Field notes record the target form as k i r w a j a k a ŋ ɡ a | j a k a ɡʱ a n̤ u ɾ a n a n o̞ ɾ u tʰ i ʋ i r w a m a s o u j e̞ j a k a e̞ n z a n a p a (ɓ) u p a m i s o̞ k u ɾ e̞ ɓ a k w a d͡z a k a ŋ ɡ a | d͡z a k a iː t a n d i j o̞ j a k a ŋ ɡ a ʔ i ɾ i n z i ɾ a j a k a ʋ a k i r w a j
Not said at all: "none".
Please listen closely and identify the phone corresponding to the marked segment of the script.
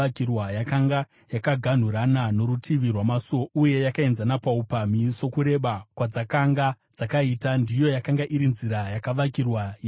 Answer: none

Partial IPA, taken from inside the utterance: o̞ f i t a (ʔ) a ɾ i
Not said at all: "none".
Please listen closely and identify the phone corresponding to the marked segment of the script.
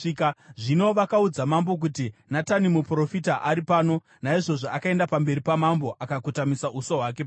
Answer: ʔ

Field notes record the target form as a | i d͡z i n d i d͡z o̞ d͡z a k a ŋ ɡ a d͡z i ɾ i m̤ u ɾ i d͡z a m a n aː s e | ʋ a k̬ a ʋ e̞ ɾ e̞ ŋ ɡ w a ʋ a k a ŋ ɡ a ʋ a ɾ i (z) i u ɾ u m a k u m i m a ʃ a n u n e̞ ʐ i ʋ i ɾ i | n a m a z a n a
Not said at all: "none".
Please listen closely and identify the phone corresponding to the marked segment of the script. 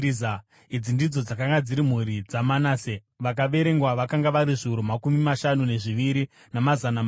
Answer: ʐ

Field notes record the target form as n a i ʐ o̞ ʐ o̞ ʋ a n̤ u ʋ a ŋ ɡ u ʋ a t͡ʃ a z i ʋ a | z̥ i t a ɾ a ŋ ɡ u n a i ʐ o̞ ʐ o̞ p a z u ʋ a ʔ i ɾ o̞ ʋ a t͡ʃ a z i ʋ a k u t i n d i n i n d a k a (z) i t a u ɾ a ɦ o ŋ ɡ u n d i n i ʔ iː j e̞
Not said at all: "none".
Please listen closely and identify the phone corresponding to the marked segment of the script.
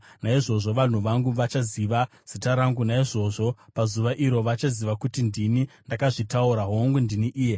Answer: ʐ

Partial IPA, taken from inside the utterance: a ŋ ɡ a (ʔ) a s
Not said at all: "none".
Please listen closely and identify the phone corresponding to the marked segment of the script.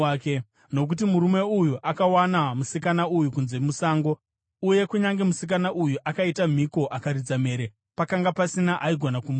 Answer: p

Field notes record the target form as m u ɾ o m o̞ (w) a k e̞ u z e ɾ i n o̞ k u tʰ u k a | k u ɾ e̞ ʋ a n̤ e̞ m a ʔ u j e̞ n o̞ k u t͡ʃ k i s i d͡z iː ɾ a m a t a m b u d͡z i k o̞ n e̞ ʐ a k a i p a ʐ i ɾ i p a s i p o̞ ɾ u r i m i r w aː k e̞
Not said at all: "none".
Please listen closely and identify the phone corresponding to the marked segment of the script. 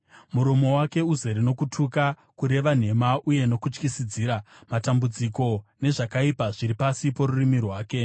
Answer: w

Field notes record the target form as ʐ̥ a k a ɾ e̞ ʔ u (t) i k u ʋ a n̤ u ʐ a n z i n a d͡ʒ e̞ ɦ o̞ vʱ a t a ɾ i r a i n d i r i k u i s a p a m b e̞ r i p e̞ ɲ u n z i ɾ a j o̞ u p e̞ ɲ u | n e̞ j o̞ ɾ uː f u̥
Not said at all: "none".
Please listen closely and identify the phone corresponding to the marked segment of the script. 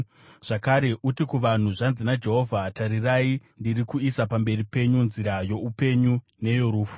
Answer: t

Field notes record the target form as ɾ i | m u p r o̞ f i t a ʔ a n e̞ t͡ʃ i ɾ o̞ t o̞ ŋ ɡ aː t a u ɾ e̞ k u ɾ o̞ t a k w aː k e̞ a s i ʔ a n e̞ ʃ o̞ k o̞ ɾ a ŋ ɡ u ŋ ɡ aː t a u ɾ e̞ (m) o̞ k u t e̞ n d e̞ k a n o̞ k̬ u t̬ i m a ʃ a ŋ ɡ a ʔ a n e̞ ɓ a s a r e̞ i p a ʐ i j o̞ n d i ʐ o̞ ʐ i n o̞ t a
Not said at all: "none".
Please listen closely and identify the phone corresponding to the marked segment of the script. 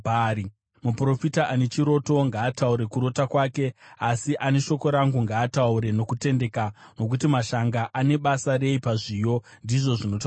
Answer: n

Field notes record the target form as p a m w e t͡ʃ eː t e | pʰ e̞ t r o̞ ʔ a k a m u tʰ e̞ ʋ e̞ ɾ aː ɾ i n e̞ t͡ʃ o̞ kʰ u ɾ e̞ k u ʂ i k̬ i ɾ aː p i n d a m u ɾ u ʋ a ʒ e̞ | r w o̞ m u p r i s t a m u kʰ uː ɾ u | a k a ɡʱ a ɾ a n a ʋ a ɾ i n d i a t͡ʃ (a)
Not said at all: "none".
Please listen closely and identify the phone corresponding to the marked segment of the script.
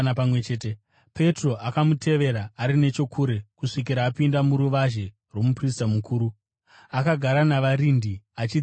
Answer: i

